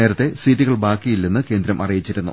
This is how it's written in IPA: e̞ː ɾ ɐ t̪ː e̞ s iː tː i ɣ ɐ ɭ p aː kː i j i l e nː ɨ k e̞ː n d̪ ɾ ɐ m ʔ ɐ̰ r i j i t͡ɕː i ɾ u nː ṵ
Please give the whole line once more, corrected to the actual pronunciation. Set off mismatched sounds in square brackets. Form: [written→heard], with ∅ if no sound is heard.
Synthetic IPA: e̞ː ɾ ɐ t̪ː e̞ s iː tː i ɣ ɐ ɭ [p→b] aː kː i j i [l→lː] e nː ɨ k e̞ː n d̪ ɾ ɐ m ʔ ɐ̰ r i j i t͡ɕː i ɾ u nː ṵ

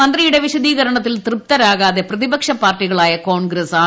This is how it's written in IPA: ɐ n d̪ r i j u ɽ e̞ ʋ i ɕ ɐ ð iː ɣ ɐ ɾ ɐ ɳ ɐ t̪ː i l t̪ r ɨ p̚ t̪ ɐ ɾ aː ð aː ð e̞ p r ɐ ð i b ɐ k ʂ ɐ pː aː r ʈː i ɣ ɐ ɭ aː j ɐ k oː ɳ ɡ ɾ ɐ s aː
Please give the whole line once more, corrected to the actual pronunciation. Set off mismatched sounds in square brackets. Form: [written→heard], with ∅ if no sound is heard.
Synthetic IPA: ɐ n d̪ r i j u ɽ e̞ ʋ i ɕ ɐ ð iː ɣ ɐ ɾ ɐ ɳ ɐ t̪ː i l t̪ r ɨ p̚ t̪ ɐ ɾ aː [ð→ɣ] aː ð e̞ p r ɐ ð i b ɐ k ʂ ɐ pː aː r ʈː i ɣ ɐ ɭ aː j ɐ k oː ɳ ɡ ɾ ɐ s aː

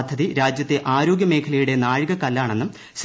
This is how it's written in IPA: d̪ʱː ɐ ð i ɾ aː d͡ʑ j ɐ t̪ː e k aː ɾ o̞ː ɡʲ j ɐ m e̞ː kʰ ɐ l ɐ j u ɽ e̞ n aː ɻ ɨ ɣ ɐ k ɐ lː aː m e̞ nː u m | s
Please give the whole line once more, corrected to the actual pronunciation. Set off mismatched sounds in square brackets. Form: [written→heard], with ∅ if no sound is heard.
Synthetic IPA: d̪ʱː ɐ ð i ɾ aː d͡ʑ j ɐ t̪ː e [k→ʔ] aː ɾ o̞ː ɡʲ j ɐ m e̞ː kʰ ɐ l ɐ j u ɽ e̞ n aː ɻ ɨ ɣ ɐ k ɐ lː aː [m→ɳ] e̞ nː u m | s

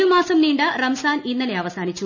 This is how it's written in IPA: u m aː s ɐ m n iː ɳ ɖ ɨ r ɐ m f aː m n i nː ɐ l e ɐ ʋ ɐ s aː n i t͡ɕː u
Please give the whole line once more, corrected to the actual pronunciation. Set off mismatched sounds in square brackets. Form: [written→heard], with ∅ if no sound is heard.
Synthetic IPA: u m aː s ɐ m n iː ɳ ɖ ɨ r ɐ m [f→s] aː [m→∅] n i nː ɐ l e ɐ ʋ ɐ s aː n i t͡ɕː u

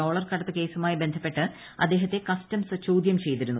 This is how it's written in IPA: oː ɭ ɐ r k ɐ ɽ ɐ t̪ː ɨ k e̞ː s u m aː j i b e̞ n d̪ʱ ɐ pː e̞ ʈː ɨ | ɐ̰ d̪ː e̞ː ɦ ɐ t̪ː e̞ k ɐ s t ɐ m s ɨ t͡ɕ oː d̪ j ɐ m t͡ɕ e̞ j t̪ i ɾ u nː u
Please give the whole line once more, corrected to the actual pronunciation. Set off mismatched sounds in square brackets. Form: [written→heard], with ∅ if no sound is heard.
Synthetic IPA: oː ɭ ɐ r k ɐ ɽ ɐ t̪ː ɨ k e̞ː s u m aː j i b e̞ n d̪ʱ ɐ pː e̞ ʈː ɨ | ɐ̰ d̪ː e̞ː ɦ ɐ t̪ː e̞ k ɐ s t ɐ m s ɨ t͡ɕ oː d̪ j ɐ m t͡ɕ e̞ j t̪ i ɾ u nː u

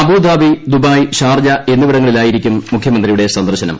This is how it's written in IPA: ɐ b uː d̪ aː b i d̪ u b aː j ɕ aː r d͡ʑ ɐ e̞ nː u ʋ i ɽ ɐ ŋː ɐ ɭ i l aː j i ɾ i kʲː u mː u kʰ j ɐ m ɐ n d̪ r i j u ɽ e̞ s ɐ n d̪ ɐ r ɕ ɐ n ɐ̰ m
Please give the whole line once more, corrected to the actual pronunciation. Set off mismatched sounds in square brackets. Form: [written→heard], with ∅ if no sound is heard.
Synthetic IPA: ɐ b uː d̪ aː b i d̪ u b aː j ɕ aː r d͡ʑ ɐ e̞ nː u ʋ i ɽ ɐ ŋː ɐ ɭ i l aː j i ɾ i kʲː u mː u kʰ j ɐ m ɐ n d̪ r i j u ɽ e̞ s ɐ n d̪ ɐ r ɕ ɐ n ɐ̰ m

